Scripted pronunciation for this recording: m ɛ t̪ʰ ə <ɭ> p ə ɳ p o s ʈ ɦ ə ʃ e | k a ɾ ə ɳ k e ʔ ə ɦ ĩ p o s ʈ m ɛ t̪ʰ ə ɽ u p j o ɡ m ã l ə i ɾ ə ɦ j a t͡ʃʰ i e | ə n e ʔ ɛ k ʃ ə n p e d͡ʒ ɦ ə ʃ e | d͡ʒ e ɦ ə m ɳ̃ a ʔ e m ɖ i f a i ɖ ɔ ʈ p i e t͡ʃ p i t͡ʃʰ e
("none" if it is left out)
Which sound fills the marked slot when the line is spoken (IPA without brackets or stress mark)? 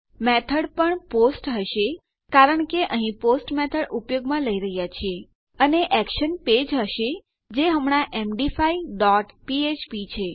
ɽ